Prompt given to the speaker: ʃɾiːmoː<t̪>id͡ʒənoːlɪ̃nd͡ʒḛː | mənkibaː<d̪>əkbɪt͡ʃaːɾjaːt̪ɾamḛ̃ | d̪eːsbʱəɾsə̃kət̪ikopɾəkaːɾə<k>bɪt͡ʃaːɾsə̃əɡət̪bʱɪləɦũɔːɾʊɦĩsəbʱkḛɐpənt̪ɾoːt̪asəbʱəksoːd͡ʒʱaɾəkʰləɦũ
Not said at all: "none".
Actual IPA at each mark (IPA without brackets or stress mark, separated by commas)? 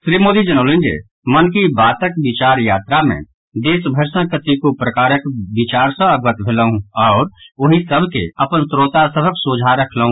d̪, t̪, k